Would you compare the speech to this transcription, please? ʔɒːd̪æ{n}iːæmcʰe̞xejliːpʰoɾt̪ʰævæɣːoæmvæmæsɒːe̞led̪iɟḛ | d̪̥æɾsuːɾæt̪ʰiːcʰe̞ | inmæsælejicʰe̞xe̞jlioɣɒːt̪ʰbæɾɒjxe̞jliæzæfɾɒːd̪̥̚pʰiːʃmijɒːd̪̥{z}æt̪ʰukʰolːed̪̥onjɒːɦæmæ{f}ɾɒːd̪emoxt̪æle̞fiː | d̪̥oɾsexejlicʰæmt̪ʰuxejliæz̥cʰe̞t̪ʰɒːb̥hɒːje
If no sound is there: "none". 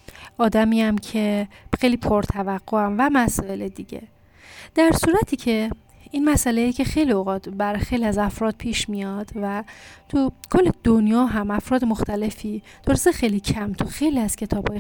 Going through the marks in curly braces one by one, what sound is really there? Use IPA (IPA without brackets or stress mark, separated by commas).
m, v, f